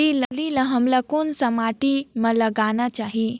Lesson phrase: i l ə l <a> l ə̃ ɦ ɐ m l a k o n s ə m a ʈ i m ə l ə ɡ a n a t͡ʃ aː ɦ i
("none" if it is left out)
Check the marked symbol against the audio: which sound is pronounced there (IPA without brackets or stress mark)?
i